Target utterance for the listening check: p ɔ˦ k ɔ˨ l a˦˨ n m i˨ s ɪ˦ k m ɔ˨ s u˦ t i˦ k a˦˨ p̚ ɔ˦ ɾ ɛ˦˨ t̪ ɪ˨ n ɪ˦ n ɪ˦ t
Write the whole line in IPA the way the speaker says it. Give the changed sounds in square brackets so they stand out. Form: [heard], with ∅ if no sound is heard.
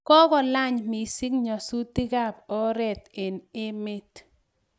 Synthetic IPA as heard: [k] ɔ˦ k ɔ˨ l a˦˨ [ɲ] m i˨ s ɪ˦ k [ɲ] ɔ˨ s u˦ t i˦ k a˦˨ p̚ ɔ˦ ɾ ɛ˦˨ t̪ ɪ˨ n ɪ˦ [m] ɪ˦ t